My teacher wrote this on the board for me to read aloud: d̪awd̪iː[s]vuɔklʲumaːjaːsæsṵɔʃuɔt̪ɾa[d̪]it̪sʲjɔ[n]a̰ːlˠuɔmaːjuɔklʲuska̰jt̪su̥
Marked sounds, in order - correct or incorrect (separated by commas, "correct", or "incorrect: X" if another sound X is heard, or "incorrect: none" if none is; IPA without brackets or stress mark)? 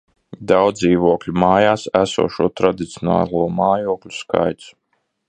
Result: incorrect: none, correct, correct